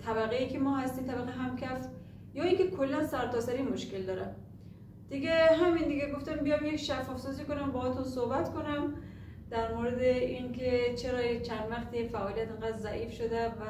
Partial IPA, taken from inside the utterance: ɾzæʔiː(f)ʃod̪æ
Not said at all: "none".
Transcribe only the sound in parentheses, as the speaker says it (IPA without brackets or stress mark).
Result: f